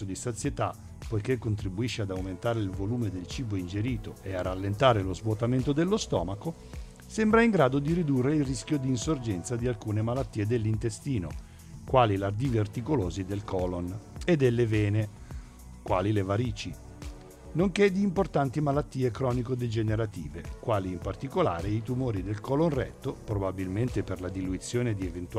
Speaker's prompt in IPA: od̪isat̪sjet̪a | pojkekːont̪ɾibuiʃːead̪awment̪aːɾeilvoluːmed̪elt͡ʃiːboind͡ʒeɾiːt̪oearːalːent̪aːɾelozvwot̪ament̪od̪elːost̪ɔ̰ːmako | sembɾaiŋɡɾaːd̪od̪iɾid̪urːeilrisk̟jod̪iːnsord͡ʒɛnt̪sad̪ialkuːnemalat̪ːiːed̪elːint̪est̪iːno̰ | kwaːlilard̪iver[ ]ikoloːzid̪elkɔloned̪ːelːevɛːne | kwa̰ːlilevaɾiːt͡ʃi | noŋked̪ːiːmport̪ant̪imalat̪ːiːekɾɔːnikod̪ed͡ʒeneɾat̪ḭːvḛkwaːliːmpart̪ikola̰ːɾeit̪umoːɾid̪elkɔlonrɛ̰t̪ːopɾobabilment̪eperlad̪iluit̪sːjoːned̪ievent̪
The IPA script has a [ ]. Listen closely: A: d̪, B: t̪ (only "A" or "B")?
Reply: B